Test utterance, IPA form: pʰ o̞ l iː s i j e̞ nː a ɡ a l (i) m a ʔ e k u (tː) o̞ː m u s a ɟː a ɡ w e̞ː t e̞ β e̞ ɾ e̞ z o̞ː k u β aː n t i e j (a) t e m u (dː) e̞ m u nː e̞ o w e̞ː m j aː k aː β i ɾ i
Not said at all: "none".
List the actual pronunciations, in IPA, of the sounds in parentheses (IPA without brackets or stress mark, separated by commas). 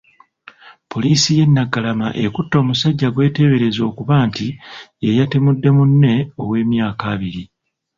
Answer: a, tː, a, dː